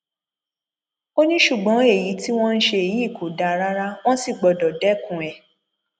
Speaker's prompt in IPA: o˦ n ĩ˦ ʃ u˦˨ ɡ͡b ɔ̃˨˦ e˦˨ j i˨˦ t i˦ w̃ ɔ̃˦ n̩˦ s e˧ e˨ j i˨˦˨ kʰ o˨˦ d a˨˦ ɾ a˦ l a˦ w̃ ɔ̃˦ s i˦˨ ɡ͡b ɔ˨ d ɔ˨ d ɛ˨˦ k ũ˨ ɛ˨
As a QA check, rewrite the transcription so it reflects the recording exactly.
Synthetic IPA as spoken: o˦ n ĩ˦ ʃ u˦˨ ɡ͡b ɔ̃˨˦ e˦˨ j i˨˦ t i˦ w̃ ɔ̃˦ n̩˦ ʃ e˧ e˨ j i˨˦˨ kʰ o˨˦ d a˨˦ ɾ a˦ ɾ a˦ w̃ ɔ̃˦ s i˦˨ ɡ͡b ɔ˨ d ɔ˨ d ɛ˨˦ k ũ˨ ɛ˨

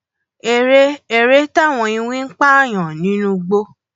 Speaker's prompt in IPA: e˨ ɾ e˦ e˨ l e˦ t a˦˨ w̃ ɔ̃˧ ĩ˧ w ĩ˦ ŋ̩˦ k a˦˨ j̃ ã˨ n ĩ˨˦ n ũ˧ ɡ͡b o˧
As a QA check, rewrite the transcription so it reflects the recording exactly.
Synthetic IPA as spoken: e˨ ɾ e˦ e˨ ɾ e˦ t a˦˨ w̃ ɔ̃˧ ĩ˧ w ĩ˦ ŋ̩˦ k͡p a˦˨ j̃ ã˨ n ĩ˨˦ n ũ˧ ɡ͡b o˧

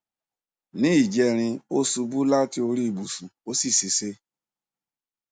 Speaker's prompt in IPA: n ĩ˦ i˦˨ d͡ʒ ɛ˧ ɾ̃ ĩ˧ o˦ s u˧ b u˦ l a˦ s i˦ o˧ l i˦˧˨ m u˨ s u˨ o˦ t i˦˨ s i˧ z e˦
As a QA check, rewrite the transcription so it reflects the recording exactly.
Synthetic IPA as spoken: n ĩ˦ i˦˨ d͡ʒ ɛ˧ ɾ̃ ĩ˧ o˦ s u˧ b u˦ l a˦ t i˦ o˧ ɾ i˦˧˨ b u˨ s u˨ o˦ s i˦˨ s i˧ s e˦

